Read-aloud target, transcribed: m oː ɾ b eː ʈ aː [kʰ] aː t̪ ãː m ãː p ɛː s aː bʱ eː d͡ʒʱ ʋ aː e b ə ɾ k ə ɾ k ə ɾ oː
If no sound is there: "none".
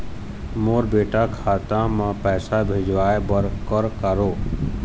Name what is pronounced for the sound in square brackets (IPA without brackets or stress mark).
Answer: kʰ